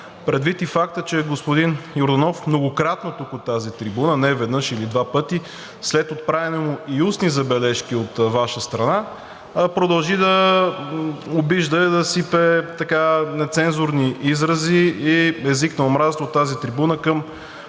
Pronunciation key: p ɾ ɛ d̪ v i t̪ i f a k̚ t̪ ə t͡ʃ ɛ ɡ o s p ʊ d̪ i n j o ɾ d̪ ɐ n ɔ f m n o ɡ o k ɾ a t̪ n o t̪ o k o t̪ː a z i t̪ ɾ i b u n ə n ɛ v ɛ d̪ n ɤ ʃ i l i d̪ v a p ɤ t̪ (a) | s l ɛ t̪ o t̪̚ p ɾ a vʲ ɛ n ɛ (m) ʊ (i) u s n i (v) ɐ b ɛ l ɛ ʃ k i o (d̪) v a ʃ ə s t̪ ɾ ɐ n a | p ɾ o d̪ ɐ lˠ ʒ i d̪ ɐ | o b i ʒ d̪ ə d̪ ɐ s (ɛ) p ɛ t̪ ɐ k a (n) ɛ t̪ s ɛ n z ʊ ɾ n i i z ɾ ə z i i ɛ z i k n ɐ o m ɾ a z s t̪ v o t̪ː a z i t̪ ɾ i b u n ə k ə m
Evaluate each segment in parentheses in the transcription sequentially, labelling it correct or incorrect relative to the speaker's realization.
incorrect: i, correct, correct, incorrect: z, incorrect: t̪, incorrect: i, correct

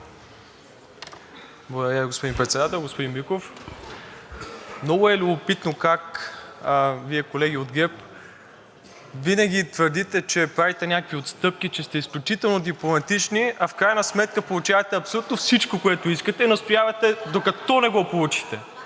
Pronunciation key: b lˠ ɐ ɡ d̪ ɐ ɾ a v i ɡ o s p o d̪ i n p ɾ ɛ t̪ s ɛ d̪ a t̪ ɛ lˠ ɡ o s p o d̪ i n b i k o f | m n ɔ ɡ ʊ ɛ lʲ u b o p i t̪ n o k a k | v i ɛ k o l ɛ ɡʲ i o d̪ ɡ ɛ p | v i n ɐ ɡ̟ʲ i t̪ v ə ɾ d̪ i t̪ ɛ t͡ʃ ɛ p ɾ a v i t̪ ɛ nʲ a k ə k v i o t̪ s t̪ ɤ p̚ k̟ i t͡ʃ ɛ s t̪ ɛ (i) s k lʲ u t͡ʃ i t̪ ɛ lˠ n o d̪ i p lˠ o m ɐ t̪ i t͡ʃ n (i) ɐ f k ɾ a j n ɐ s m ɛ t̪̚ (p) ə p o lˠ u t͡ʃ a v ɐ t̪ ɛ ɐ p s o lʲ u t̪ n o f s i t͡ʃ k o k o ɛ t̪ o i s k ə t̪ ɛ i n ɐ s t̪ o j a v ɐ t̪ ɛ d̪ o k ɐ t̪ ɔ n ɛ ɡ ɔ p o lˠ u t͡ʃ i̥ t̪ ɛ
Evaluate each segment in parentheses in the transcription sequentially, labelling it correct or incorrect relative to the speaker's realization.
correct, correct, incorrect: k

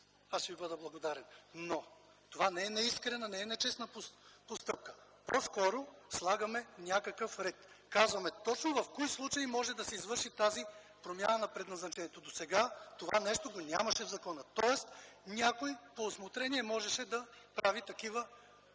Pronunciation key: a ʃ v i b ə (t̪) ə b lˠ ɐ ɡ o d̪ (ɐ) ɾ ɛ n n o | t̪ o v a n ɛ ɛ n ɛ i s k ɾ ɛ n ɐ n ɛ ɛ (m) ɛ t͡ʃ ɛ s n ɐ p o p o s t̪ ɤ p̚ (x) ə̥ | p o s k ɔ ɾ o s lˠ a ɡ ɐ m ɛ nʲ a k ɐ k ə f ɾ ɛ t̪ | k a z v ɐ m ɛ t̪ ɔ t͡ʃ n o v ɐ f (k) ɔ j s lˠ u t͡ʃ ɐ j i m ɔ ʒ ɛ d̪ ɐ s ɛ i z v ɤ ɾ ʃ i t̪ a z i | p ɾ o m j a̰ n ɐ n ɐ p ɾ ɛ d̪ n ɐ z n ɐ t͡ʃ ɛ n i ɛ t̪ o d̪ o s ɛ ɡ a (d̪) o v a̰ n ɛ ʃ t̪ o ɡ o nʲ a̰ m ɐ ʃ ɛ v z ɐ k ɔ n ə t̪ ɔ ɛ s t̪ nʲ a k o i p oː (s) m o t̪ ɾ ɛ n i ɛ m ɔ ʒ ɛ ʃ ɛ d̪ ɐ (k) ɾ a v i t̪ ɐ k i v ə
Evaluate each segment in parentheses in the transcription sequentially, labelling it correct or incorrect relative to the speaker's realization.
incorrect: d̪, incorrect: a, incorrect: n, incorrect: k, correct, incorrect: t̪, correct, incorrect: p

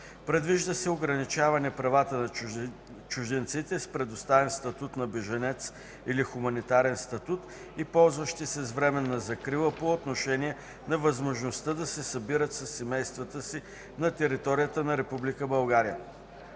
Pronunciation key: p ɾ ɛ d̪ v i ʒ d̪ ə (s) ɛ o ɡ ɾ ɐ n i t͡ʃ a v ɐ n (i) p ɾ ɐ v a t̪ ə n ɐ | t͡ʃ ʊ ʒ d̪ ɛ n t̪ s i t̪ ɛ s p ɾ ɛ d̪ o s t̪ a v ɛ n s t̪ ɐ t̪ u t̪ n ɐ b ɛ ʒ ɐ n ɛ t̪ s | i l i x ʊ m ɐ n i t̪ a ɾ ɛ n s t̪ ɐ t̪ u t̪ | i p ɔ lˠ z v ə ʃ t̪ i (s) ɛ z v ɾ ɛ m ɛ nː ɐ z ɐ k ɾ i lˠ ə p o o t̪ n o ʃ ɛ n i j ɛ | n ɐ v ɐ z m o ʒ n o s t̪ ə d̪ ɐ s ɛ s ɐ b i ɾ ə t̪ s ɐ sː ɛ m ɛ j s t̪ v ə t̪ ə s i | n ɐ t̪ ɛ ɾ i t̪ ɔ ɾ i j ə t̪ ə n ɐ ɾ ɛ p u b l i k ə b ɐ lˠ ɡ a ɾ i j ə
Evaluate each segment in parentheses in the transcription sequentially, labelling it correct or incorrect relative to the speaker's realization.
correct, incorrect: ɛ, correct

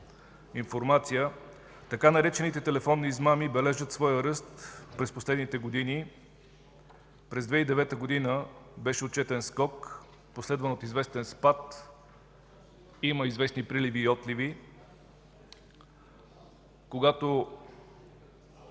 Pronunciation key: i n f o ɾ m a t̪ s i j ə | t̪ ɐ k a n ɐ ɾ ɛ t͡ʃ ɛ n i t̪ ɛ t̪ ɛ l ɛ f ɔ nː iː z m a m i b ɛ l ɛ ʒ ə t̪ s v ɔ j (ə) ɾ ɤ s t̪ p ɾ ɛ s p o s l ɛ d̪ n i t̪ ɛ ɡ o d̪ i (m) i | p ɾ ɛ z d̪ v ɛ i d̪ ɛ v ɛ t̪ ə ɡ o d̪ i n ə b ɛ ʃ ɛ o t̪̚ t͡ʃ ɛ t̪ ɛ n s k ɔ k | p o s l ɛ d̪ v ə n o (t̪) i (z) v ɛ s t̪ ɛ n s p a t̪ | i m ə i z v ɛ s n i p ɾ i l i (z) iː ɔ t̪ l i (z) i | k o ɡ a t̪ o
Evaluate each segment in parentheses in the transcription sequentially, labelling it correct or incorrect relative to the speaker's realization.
correct, incorrect: n, correct, correct, incorrect: v, incorrect: v

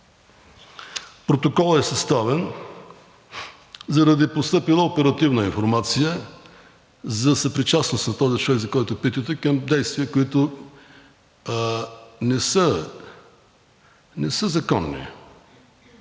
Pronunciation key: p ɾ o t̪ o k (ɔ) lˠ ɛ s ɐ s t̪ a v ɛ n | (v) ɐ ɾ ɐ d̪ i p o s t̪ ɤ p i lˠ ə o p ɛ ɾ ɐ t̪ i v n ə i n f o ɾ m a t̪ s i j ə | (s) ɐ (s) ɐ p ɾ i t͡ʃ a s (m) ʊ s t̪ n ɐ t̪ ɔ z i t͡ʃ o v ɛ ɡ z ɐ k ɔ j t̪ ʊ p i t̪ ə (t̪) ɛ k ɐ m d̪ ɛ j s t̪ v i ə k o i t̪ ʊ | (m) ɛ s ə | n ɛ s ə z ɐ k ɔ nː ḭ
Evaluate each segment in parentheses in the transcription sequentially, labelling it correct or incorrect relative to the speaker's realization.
correct, incorrect: z, incorrect: z, correct, incorrect: n, correct, incorrect: n

